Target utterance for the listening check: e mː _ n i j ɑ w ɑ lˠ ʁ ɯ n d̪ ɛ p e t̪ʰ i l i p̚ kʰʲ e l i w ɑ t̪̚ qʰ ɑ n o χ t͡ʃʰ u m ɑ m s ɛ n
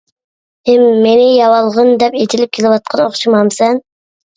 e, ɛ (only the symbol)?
e